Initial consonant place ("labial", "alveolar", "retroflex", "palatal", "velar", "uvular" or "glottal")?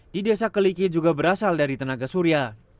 alveolar